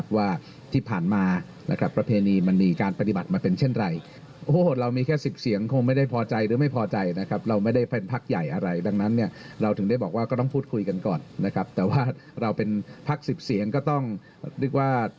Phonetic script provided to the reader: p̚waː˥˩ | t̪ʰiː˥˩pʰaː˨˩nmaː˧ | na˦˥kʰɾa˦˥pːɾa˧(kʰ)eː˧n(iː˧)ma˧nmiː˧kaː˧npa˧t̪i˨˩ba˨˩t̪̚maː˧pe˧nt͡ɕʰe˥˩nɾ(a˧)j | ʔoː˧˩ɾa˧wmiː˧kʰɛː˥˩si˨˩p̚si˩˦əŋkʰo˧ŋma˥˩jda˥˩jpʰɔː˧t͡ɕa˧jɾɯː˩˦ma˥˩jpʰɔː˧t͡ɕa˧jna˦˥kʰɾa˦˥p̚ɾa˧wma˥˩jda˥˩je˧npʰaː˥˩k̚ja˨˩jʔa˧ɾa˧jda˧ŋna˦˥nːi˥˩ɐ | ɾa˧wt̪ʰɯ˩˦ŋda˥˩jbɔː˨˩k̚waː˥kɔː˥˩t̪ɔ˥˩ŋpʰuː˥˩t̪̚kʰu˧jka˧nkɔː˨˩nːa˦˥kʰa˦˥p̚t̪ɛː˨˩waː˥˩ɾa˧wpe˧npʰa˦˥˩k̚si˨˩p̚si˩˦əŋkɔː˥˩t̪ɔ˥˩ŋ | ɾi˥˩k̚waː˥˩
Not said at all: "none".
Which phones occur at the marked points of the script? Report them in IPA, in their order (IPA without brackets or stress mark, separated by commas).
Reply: pʰ, iː˧, a˧